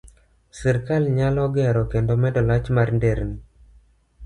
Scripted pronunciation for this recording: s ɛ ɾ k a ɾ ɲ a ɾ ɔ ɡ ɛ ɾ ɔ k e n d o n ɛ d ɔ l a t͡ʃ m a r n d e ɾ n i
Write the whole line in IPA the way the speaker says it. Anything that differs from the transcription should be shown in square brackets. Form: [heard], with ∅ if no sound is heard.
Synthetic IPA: s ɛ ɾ k a [l] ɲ a [l] ɔ ɡ ɛ ɾ ɔ k e n d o [m] ɛ d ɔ l a t͡ʃ m a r n d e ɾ n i